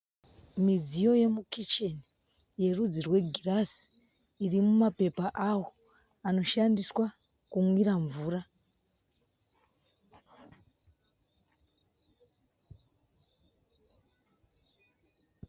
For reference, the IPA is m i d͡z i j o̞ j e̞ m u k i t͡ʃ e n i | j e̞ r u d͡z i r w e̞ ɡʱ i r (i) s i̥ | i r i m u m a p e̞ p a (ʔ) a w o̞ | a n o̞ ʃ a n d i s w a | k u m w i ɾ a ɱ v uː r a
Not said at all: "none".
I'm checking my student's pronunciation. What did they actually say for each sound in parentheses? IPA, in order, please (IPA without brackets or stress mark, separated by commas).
a, ʔ